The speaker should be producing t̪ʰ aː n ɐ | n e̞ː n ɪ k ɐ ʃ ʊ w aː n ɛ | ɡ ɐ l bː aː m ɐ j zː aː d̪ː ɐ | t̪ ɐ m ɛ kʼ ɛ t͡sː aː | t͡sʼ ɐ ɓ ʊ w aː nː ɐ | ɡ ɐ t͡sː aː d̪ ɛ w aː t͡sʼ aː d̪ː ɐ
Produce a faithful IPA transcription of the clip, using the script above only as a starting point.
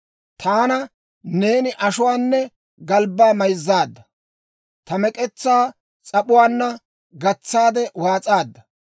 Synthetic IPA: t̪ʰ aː n ɐ | n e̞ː n ɪ ʔ ɐ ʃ ʊ w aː nː ɛ | ɡ ɐ l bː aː m ɐ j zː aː d̪ː ɐ | t̪ ɐ m ɛ kʼ ɛ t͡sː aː | t͡sʼ ɐ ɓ ʊ w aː nː ɐ | ɡ ɐ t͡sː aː d̪ ɛ w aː t͡sʼ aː d̪ː ɐ